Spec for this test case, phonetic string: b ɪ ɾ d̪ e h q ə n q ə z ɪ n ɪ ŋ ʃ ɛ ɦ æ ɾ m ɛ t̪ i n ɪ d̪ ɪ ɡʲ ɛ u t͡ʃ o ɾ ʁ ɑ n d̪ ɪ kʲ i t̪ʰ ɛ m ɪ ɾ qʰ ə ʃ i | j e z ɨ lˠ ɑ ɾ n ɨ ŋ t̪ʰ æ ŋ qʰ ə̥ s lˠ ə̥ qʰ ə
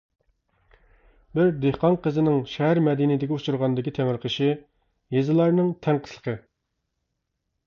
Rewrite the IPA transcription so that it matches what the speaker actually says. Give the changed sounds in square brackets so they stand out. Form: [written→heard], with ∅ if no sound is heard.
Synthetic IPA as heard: b ɪ ɾ d̪ e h q [ə→ɑ] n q ə z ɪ n ɪ ŋ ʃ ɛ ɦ æ ɾ m ɛ [t̪→d̪] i n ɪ d̪ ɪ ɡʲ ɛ u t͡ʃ [o→u] ɾ ʁ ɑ n d̪ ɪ kʲ i t̪ʰ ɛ m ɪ ɾ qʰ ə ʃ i | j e z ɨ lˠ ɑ ɾ n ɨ ŋ t̪ʰ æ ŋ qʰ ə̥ s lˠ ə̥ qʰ ə